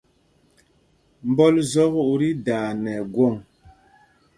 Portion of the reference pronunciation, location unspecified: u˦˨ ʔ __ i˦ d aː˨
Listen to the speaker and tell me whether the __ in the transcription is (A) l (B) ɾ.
B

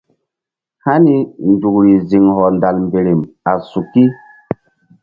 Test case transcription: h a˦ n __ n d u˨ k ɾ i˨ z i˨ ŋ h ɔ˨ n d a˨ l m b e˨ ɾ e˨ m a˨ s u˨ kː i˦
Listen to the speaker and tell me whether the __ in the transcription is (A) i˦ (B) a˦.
A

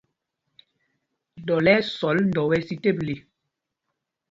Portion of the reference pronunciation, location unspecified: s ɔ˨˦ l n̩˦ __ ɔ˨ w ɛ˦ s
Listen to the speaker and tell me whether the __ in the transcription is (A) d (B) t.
A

